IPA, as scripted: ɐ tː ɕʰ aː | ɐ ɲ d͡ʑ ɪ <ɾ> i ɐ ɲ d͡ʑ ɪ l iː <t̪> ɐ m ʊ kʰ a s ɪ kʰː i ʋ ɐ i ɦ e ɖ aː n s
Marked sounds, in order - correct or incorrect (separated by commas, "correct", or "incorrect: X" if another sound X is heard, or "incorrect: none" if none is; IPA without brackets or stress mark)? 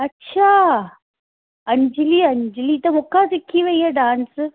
incorrect: l, correct